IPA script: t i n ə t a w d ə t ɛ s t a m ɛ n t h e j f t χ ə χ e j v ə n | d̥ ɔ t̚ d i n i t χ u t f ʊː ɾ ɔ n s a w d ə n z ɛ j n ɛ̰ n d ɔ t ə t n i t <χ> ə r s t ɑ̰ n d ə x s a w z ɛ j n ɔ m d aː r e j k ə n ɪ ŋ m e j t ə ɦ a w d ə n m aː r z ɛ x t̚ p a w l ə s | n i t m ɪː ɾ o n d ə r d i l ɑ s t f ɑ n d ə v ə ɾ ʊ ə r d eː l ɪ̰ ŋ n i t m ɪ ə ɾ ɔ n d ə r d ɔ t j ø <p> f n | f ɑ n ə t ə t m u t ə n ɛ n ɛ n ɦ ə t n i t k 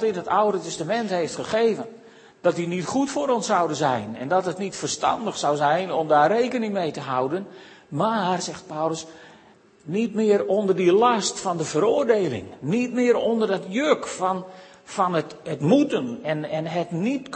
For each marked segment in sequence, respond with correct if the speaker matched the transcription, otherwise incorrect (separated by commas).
incorrect, incorrect